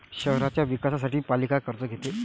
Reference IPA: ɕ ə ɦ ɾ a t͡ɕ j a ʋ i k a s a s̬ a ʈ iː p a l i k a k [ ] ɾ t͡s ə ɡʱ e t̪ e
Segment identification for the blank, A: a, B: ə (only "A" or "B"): B